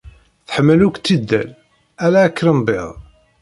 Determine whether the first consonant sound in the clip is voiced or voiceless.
voiceless